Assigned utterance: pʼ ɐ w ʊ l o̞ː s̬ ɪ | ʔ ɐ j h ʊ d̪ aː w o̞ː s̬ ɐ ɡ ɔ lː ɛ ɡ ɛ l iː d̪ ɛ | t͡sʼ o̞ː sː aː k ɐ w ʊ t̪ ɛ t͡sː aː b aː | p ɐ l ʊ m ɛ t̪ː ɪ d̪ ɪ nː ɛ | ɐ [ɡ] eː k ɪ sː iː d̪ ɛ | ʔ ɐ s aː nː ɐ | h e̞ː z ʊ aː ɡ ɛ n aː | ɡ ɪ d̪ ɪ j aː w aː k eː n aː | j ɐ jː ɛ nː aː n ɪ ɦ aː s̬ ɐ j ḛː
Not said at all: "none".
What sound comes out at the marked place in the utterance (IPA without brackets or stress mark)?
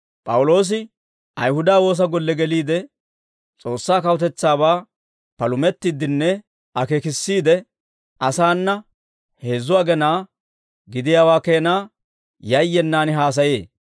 k